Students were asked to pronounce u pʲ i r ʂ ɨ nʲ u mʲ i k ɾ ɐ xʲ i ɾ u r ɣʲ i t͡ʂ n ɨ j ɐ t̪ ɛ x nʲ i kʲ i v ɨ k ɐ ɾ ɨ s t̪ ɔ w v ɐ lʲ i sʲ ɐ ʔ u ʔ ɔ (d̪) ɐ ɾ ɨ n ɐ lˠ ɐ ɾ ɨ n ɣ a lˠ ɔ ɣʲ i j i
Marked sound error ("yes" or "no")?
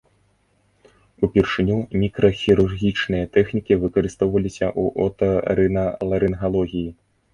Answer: yes